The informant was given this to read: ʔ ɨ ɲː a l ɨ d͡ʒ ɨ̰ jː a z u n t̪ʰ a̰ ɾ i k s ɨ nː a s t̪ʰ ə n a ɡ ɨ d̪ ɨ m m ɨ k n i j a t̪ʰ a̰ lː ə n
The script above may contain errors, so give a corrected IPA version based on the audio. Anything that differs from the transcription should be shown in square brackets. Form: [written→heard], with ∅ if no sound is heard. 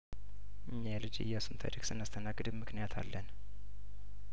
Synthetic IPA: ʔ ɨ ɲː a l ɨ d͡ʒ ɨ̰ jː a [z→s] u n t̪ʰ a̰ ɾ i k s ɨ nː a s t̪ʰ ə n a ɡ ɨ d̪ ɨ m m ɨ k n i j a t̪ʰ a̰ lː ə n